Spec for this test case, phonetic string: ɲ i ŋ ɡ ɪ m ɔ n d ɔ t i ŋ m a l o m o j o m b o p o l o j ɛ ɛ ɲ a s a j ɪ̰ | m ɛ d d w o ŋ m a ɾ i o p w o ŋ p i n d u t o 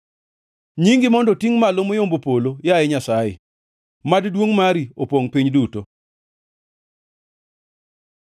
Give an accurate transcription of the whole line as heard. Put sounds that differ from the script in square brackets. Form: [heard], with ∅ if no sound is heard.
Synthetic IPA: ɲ i ŋ ɡ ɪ m ɔ n d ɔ t i ŋ m a l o m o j o m b o p o l o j [a] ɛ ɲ a s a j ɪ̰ | m [a] d d w o ŋ m a ɾ i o p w o ŋ p i [ɲ] d u t o